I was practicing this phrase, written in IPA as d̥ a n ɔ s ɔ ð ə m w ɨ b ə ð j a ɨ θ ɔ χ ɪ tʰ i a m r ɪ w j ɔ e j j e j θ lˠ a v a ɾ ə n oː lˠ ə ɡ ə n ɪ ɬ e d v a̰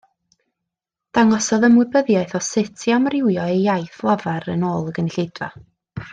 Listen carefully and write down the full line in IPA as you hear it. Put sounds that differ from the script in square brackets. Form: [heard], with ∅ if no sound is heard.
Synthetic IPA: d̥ a [ŋ] ɔ s ɔ ð ə m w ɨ b ə ð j a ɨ θ ɔ [s] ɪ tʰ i a m r ɪ w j ɔ e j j [a] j θ lˠ a v a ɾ ə n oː lˠ ə ɡ ə n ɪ ɬ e d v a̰